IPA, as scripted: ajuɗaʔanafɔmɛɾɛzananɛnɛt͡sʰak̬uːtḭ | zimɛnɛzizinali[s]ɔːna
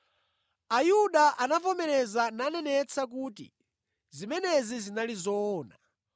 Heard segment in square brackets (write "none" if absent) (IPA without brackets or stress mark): z